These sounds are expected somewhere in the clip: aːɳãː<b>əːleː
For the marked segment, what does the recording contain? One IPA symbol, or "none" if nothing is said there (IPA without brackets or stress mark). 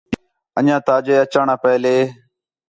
p